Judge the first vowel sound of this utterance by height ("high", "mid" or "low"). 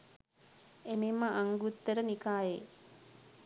mid